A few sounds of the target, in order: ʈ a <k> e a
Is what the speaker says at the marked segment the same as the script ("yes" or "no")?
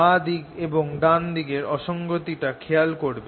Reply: no